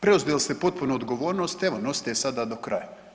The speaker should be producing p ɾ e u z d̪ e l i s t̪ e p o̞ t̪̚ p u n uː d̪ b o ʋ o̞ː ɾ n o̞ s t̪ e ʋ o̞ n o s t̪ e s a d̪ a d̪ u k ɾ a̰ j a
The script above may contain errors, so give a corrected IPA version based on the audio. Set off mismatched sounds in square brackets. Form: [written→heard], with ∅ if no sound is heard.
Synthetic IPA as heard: p ɾ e u z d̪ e l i s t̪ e p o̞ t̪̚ p u n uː d̪ [b→ɡ] o ʋ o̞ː ɾ n o̞ s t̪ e ʋ o̞ n o s t̪ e s a d̪ a d̪ [u→o] k ɾ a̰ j a